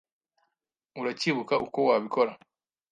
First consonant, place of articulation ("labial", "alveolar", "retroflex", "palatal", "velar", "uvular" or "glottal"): alveolar